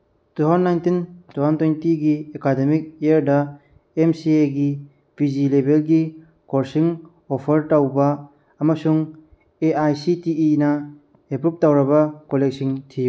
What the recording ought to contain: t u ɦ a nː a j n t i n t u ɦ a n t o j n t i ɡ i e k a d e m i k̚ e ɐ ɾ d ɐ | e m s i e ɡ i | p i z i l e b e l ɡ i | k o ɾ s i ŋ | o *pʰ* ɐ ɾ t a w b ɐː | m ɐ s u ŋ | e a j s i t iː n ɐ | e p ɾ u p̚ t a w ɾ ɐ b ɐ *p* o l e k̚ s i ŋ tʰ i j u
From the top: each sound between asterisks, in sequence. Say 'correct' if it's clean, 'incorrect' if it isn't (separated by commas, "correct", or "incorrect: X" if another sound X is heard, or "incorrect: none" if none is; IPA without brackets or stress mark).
correct, incorrect: k